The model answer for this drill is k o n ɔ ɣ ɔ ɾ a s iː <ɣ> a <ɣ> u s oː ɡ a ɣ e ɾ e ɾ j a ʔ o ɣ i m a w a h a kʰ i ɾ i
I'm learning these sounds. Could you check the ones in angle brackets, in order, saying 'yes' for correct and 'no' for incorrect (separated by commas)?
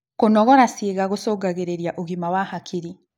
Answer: yes, yes